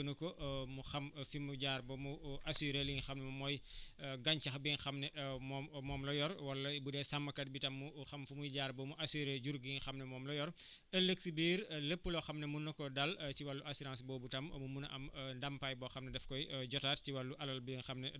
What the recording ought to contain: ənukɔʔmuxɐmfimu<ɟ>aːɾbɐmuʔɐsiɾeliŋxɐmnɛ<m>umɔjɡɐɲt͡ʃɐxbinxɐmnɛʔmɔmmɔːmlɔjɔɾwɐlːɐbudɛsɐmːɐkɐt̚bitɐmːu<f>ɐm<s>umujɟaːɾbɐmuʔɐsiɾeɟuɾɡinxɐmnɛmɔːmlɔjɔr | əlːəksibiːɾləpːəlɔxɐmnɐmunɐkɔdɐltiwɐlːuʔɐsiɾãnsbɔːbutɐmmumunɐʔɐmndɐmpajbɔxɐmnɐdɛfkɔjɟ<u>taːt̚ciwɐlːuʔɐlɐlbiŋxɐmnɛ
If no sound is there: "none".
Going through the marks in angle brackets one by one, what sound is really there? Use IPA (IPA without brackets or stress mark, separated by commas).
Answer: ɟ, m, x, f, ɔ